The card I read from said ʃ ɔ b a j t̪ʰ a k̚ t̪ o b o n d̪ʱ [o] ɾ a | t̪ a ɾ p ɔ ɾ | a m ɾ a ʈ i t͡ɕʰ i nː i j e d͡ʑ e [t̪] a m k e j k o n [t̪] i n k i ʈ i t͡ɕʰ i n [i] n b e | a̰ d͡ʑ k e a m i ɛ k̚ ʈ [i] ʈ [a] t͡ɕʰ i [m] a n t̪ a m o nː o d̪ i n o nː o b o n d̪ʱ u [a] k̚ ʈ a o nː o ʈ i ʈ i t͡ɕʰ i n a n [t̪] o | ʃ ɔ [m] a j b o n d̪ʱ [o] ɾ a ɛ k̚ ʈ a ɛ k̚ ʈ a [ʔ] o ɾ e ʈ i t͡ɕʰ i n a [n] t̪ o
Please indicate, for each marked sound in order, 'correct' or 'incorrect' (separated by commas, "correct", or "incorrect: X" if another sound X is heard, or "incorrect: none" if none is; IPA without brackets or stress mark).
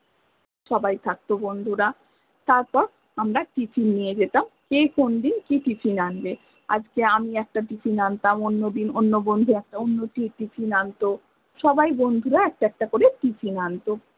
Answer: incorrect: u, correct, incorrect: d̪, incorrect: a, incorrect: a, incorrect: i, incorrect: n, incorrect: ɛ, correct, incorrect: b, incorrect: u, incorrect: k, correct